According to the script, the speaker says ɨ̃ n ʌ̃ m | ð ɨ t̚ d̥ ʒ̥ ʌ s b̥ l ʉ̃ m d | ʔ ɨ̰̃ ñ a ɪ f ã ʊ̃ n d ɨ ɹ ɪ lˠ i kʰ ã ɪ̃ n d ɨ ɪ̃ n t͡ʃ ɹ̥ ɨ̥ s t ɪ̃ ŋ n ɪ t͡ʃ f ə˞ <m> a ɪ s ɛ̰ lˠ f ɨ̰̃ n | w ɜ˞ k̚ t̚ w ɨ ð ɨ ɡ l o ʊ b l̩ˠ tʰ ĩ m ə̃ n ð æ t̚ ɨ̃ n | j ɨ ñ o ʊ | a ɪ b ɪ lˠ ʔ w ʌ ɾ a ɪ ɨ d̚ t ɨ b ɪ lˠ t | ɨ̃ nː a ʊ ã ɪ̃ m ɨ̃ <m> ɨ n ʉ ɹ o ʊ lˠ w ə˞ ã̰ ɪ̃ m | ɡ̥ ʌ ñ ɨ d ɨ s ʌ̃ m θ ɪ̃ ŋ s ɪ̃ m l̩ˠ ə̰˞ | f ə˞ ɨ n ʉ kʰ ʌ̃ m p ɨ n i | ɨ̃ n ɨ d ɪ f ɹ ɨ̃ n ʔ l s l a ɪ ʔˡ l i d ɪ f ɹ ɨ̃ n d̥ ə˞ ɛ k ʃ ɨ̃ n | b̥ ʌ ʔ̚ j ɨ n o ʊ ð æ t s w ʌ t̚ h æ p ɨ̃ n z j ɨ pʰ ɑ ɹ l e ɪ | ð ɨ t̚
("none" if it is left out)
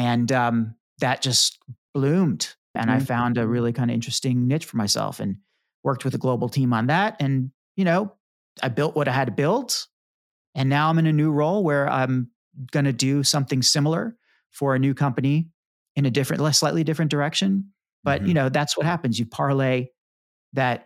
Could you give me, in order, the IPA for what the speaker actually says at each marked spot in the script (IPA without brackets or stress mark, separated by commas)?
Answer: m, n